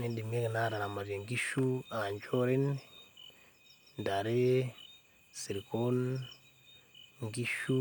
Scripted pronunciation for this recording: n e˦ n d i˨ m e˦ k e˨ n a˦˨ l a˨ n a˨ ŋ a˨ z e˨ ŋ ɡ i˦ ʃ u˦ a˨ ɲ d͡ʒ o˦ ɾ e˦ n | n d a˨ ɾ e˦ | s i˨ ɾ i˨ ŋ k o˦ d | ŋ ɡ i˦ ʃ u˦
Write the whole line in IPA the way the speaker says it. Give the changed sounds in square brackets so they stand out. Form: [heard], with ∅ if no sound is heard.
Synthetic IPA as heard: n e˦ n d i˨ m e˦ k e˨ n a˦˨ [ɾ] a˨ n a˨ [m] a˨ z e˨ ŋ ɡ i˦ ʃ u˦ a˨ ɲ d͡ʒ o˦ ɾ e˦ n | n d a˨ ɾ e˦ | s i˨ ɾ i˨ [∅] k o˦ [n] | ŋ ɡ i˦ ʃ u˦